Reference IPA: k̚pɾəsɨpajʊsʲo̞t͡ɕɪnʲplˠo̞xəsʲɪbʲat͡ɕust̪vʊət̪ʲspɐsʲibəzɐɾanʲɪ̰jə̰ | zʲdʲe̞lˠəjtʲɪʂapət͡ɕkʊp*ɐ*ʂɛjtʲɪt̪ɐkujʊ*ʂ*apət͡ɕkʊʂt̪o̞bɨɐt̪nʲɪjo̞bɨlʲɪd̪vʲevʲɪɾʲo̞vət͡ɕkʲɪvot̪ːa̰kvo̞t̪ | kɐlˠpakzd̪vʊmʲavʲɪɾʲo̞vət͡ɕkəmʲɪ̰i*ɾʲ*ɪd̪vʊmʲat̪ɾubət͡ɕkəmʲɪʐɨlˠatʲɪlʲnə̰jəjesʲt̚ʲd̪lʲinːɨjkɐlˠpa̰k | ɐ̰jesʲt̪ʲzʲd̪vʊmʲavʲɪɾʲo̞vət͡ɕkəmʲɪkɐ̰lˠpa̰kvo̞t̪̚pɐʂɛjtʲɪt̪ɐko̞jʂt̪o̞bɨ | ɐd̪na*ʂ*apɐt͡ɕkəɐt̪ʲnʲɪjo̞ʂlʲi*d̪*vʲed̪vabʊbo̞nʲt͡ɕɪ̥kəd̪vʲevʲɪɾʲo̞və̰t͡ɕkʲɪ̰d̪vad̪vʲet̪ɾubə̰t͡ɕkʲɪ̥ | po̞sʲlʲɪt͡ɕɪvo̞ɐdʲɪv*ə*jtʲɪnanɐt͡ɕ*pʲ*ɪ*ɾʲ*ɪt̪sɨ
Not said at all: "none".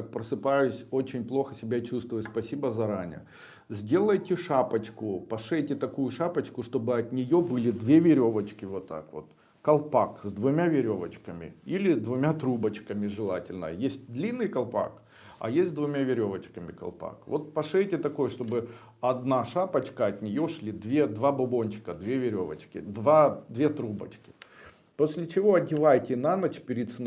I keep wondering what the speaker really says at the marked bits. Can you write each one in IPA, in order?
ɐ, ʂ, lʲ, ʂ, d̪, a, pʲ, ɾʲ

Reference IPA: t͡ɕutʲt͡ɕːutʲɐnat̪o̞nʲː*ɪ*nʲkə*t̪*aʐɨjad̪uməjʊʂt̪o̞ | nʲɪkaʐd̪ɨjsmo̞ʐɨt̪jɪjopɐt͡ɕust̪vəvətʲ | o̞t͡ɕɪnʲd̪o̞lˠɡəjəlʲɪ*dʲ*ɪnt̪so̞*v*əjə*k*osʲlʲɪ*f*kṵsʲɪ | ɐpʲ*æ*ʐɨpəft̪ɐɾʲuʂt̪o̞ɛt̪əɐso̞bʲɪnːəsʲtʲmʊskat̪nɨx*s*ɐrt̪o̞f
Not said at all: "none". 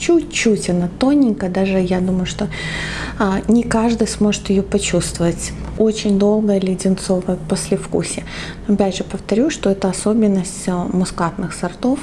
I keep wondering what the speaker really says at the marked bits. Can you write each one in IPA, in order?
ɪ, d̪, dʲ, v, p, f, æ, s

